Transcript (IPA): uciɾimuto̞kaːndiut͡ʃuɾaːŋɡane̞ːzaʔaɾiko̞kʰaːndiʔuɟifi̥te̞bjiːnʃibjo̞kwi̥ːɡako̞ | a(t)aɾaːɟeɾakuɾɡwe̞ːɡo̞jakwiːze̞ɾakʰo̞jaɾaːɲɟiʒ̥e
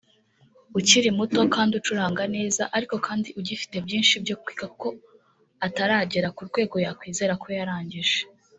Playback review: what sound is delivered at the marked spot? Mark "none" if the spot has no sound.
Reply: t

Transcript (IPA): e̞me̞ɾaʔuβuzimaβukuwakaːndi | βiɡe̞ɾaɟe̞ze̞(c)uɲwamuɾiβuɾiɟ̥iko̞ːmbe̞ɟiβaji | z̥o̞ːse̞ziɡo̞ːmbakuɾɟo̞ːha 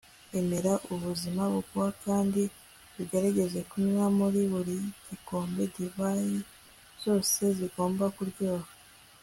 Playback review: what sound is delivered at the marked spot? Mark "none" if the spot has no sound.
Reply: k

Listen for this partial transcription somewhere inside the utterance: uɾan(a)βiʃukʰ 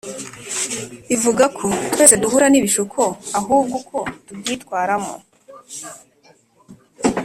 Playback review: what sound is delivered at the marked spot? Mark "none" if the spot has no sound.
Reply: i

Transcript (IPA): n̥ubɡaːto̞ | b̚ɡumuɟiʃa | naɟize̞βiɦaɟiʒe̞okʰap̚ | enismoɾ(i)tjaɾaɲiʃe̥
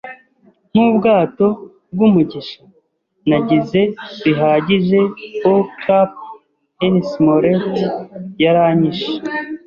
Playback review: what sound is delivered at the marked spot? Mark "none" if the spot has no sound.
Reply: e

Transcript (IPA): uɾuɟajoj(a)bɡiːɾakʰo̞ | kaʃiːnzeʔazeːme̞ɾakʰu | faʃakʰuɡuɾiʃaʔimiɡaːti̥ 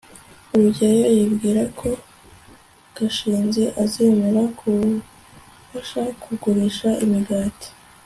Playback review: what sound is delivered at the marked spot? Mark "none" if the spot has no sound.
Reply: i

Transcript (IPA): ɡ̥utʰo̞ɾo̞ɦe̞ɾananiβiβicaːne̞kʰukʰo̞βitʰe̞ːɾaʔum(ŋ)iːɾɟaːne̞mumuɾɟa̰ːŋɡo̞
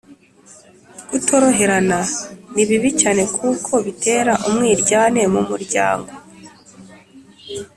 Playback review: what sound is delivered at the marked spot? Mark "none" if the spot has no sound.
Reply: ŋ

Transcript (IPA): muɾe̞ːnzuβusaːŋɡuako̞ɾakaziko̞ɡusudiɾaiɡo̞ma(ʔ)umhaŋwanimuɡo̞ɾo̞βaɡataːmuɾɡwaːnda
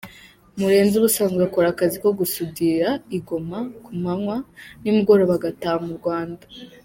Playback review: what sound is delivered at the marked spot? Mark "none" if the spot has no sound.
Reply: k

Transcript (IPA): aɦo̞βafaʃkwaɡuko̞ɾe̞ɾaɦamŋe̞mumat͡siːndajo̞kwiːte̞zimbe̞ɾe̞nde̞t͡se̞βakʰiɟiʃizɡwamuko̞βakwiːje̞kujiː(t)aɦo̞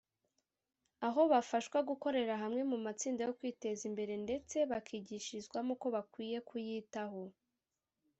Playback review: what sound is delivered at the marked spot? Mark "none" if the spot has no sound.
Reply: t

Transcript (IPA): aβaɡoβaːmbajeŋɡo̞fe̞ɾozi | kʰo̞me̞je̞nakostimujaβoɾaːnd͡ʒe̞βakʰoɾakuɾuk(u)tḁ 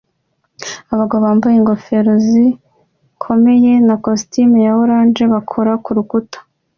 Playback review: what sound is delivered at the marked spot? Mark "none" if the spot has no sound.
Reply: u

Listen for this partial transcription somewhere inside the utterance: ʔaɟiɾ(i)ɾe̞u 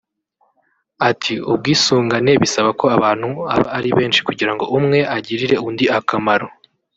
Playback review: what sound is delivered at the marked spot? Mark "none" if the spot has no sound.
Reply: i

